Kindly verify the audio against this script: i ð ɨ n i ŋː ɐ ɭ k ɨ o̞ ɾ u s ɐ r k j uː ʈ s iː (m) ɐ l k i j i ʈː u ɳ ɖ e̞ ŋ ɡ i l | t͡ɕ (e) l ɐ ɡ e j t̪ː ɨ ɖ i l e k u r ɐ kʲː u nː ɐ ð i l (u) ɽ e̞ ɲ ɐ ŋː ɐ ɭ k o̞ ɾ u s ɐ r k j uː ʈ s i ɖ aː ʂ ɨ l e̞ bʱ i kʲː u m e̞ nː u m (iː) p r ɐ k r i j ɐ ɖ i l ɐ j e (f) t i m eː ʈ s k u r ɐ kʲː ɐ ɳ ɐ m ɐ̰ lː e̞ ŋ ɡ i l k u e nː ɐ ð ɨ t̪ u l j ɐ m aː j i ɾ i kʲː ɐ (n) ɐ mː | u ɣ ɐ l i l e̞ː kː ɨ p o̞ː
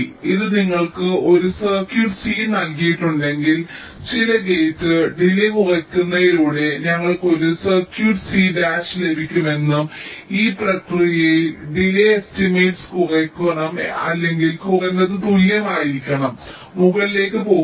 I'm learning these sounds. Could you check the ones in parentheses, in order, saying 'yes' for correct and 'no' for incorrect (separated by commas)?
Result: no, no, no, yes, no, no